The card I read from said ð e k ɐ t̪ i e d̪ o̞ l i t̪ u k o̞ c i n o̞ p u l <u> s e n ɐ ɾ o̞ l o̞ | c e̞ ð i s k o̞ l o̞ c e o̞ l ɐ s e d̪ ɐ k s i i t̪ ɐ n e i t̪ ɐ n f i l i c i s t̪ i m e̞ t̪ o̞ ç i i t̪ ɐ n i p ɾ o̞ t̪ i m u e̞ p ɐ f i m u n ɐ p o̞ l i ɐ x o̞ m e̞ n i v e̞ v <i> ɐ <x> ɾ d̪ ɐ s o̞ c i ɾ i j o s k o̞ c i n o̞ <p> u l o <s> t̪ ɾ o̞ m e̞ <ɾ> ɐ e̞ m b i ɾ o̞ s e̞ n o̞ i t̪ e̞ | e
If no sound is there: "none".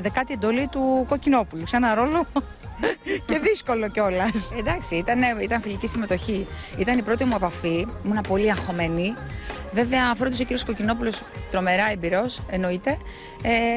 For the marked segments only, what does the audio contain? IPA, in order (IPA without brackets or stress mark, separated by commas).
u, e, f, p, s, ɾ